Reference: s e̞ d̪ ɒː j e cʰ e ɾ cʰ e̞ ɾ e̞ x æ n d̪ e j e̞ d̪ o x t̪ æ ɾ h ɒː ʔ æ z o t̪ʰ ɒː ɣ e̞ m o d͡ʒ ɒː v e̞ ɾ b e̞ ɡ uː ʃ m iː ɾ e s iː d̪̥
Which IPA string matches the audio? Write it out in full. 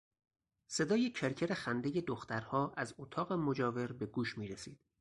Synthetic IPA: s e̞ d̪ ɒː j e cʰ e ɾ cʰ e̞ ɾ e̞ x æ n d̪ e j e̞ d̪ o x t̪ æ ɾ h ɒː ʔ æ z o t̪ʰ ɒː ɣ e̞ m o d͡ʒ ɒː v e̞ ɾ b e̞ ɡ uː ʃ m iː ɾ e s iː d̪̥